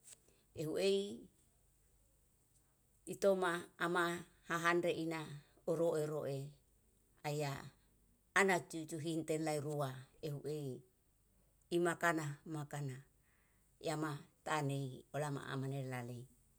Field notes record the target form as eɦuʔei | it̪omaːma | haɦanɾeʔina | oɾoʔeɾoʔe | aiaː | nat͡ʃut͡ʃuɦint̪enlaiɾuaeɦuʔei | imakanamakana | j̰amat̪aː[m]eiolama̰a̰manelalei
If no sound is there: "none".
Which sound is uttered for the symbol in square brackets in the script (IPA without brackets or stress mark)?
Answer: n